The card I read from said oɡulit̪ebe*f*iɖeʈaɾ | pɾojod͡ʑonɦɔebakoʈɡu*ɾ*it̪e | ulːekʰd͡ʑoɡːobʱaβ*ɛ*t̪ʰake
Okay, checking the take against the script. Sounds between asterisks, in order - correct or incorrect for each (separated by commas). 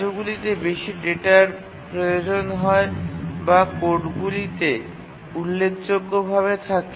incorrect, incorrect, incorrect